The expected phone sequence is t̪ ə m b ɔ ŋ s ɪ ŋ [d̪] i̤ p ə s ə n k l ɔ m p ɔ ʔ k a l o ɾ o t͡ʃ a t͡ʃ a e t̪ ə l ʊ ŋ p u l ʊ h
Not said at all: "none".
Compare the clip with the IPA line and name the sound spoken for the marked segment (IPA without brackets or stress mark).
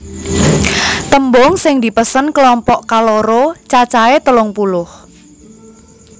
d̪